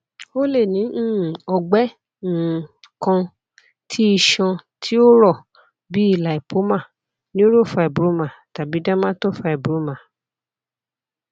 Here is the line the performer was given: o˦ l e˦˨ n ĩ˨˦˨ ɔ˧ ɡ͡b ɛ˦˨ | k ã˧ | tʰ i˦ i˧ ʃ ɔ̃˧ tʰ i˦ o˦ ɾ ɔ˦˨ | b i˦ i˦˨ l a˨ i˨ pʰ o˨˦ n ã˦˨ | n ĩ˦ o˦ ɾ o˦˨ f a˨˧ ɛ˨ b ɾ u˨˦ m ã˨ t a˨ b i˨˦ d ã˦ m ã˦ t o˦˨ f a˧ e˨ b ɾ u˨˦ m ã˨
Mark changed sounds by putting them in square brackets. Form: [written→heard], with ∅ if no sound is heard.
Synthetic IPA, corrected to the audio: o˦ l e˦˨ n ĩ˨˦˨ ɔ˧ ɡ͡b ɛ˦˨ | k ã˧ | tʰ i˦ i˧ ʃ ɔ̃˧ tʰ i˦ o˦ ɾ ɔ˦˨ | b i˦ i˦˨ l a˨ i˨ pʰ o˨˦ [n→m] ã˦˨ | n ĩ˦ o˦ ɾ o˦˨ f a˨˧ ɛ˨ b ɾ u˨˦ m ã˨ t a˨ b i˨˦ d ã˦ m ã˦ t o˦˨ f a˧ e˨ b ɾ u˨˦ m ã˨